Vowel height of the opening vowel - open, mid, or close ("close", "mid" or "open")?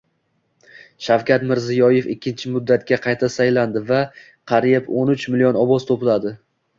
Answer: open